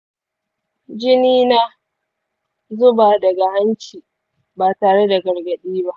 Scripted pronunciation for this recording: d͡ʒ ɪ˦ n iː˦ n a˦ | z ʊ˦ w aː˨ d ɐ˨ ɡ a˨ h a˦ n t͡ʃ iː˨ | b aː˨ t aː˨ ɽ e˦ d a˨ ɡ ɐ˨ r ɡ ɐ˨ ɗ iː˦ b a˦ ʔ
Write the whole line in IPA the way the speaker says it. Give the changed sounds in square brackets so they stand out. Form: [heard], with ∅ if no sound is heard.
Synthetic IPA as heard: d͡ʒ ɪ˦ n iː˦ n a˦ | z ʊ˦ [b] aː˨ d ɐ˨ ɡ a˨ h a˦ n t͡ʃ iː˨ | b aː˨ t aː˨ ɽ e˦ d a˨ ɡ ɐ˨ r ɡ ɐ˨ ɗ iː˦ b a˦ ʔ